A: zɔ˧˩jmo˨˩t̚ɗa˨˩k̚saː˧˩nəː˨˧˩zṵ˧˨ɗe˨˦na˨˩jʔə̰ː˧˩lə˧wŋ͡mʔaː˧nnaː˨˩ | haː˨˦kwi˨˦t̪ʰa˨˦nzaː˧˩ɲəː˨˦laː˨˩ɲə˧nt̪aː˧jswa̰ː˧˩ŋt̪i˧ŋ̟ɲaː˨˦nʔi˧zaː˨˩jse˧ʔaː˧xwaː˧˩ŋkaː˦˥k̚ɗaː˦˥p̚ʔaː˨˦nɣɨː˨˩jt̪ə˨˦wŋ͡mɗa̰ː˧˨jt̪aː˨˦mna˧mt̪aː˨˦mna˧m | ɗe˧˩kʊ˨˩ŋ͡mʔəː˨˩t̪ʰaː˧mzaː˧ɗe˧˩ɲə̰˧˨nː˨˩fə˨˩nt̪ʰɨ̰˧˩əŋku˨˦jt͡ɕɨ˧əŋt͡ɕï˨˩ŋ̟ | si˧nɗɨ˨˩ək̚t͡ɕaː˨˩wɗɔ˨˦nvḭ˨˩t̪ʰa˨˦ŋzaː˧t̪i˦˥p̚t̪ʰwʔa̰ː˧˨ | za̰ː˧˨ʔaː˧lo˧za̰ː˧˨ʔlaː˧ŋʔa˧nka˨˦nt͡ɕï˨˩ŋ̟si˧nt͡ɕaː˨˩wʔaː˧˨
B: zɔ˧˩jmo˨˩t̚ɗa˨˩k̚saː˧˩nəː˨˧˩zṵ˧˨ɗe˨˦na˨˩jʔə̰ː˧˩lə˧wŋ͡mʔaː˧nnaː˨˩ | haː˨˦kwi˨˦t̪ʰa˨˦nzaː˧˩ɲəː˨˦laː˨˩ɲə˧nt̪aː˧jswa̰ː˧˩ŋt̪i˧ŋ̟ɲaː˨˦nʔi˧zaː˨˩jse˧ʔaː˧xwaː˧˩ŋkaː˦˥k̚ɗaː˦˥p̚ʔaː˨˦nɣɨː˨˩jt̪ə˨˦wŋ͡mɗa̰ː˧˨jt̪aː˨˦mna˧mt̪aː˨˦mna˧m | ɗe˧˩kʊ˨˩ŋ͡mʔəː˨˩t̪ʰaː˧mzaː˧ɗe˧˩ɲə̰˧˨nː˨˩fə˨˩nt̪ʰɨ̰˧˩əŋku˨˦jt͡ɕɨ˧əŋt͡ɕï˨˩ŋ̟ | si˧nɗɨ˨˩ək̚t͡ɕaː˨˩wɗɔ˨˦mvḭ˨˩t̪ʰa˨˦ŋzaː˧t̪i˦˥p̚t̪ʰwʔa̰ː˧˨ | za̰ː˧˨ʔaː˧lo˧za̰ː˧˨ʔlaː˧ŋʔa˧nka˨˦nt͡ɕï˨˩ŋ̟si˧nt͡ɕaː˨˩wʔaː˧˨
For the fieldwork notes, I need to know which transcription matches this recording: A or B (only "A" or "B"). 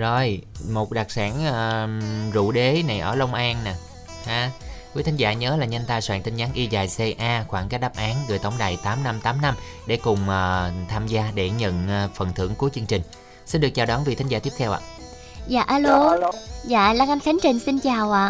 A